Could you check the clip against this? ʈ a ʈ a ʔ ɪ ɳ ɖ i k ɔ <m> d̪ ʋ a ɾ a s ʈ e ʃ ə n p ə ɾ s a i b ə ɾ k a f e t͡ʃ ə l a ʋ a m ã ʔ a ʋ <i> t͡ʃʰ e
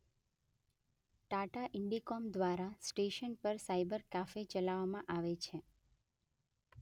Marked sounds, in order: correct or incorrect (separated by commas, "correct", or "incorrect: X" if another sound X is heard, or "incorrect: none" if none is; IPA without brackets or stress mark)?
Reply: correct, incorrect: e